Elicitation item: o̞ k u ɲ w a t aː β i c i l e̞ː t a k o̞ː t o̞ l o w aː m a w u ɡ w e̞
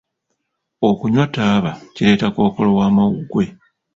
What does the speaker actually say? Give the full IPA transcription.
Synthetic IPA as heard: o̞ k u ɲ w a t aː β a c i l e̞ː t a k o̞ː k o̞ l o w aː m a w u ɡ w e̞